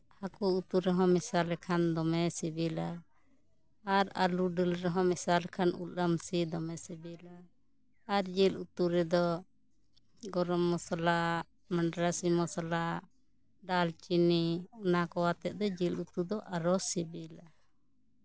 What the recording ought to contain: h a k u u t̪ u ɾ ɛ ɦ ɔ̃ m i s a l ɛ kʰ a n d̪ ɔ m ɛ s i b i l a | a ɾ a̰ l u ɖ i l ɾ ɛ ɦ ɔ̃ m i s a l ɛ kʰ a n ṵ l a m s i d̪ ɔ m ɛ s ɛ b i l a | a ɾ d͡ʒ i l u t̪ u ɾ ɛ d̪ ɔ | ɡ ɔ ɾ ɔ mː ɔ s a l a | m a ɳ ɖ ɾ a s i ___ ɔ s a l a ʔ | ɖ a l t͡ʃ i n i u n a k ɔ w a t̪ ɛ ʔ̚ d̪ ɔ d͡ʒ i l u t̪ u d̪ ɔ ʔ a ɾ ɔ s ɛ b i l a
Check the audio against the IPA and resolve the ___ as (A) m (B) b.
A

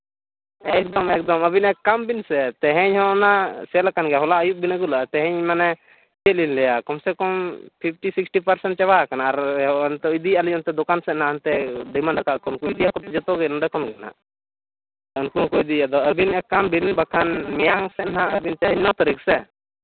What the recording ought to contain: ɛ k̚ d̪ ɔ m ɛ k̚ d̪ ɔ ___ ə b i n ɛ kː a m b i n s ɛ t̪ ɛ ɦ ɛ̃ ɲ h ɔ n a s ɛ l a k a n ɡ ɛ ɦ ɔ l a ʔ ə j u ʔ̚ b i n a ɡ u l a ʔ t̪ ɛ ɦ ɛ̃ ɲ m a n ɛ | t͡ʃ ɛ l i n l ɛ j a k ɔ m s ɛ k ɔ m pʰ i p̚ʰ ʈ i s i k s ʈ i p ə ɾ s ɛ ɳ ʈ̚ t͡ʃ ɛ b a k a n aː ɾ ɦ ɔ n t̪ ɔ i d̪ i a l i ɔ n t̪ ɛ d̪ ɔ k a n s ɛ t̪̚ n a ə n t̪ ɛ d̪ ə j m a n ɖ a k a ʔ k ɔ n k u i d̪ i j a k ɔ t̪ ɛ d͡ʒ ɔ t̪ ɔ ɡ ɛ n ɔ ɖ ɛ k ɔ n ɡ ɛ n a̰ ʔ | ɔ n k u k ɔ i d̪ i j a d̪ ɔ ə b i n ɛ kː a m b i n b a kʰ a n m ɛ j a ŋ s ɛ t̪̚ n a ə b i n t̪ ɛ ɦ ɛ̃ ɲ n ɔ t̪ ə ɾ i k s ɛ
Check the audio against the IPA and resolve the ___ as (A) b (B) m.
B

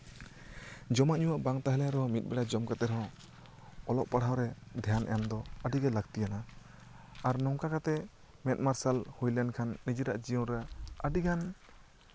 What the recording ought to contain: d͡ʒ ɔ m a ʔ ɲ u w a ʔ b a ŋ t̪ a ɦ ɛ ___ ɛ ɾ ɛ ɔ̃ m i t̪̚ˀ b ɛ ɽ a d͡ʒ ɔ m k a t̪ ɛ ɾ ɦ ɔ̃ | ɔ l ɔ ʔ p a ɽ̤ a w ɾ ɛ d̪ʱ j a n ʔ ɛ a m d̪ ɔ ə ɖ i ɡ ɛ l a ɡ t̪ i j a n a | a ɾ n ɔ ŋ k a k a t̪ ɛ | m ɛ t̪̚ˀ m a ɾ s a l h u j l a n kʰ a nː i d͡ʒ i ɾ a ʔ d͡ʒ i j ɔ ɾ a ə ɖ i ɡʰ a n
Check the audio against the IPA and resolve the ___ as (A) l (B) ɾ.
A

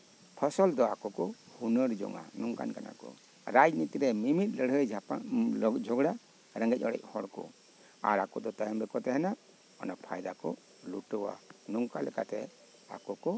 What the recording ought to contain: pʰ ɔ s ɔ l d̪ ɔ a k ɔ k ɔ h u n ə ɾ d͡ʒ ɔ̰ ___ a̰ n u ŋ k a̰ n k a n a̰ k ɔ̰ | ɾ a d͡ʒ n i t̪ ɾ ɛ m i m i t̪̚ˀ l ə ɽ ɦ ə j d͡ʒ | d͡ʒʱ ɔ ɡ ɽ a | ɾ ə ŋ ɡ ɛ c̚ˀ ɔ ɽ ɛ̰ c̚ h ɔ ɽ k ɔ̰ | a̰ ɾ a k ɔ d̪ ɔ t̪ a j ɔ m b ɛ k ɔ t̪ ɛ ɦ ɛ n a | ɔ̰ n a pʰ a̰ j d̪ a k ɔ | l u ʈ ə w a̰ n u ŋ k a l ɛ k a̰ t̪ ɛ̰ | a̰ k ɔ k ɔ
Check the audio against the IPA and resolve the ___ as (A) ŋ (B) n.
A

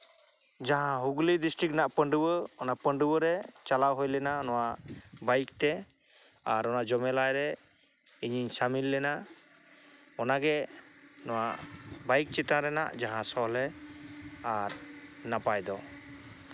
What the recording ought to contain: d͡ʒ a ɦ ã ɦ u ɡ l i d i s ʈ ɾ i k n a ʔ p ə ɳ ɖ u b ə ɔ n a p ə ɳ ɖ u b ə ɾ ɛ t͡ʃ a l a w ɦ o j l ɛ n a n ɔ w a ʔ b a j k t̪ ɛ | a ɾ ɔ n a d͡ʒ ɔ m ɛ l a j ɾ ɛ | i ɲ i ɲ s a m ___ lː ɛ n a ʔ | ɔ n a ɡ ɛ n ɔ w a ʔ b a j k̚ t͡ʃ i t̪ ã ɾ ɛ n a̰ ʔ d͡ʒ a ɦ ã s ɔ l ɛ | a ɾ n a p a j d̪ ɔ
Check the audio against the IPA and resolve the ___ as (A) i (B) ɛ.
A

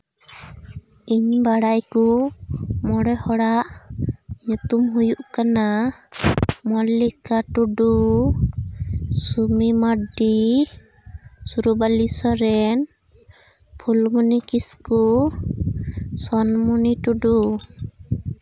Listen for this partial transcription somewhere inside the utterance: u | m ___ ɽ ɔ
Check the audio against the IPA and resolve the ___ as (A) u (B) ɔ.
B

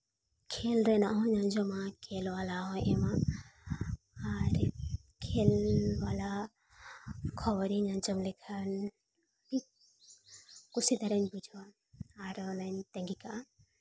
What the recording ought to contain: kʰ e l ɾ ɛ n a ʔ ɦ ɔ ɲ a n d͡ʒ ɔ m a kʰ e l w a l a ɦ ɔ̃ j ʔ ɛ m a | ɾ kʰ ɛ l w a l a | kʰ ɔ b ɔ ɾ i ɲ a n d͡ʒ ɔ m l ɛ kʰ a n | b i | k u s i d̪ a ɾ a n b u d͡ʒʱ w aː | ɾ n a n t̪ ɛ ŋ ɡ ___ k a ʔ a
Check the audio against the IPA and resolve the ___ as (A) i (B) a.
A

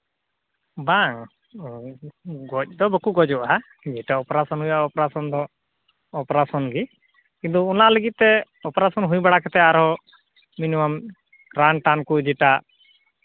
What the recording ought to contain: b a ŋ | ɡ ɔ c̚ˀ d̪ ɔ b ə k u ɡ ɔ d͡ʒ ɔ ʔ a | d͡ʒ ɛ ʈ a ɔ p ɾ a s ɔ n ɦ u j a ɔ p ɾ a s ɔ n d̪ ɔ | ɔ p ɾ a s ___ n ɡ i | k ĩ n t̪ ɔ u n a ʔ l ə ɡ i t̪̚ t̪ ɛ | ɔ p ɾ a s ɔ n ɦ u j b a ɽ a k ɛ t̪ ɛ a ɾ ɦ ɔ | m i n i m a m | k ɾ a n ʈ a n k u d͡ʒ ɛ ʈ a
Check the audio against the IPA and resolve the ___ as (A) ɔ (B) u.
A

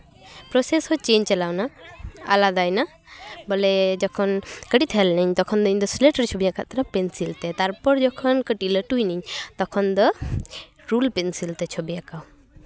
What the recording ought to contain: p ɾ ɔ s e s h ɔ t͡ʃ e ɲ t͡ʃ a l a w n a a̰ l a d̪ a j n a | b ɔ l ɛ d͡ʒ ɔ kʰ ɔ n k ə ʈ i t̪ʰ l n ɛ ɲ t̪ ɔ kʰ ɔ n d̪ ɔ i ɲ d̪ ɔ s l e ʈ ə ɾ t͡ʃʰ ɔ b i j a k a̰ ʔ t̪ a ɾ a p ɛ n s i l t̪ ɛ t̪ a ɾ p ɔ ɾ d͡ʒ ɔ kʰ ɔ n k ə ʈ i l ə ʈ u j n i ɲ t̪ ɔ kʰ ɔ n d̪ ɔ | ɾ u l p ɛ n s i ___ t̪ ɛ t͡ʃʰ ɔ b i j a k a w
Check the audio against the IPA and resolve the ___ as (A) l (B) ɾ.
A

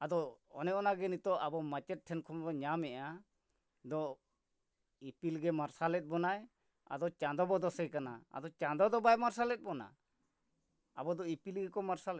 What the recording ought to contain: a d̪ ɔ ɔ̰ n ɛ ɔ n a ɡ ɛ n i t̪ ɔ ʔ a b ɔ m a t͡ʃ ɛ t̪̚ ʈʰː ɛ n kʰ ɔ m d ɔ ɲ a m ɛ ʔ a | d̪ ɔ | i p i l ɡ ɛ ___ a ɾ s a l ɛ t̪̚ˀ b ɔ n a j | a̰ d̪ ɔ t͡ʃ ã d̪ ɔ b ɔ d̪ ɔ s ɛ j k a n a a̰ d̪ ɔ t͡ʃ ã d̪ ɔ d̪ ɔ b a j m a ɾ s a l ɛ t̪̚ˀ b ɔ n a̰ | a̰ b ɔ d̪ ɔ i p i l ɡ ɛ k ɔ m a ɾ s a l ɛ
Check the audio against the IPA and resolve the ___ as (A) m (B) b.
A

